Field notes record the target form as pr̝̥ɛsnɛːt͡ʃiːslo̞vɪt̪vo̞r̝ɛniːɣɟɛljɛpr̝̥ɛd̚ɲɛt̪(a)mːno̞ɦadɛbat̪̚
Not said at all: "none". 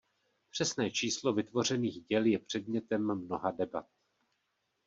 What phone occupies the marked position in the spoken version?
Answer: ɛ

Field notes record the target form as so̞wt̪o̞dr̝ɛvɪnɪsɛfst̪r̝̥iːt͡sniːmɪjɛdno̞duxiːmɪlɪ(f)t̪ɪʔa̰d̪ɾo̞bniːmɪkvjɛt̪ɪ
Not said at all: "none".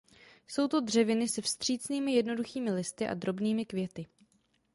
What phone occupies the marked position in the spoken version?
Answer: s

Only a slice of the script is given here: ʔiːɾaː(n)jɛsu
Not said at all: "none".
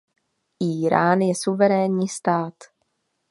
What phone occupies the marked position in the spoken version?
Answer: n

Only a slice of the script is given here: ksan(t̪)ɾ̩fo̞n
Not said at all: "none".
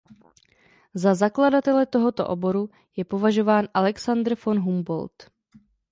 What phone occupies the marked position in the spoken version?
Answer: d̪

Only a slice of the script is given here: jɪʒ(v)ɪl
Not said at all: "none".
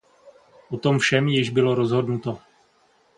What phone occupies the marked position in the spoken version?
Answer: b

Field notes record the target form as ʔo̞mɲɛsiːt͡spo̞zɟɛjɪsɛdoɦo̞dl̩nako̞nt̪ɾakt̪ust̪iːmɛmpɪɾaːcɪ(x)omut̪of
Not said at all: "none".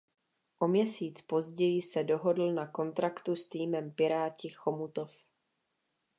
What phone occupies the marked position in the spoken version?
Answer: x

